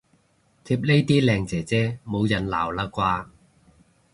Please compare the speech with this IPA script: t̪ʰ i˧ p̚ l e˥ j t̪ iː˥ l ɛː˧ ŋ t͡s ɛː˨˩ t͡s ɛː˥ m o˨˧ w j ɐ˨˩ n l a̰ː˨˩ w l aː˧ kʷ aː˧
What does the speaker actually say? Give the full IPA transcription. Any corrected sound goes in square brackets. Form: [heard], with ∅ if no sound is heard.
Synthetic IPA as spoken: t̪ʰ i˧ p̚ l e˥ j t̪ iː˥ l ɛː˧ ŋ t͡s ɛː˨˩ t͡s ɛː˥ m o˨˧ w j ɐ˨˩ n l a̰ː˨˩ w l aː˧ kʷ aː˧